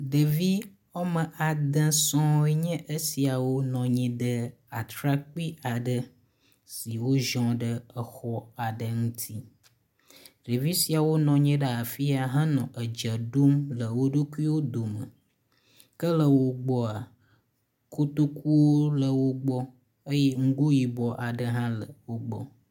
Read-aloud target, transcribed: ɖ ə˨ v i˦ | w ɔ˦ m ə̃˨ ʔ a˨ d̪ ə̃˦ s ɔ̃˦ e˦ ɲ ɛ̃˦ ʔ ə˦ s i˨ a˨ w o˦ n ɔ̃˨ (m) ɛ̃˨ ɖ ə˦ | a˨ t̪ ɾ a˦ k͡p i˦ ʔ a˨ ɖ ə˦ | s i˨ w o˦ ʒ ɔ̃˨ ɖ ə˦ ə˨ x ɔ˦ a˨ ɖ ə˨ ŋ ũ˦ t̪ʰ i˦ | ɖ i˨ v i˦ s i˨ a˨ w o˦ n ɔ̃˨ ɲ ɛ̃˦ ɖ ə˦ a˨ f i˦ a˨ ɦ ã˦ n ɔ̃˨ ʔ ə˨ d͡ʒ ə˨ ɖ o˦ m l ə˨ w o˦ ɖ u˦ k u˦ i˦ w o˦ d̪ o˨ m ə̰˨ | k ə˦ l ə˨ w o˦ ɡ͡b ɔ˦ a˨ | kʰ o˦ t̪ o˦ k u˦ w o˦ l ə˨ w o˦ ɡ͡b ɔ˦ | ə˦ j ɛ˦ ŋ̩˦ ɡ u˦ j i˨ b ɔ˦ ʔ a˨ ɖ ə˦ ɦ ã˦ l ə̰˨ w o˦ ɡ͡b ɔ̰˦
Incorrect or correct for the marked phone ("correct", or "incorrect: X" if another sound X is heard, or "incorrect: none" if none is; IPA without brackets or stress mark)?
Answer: incorrect: ɲ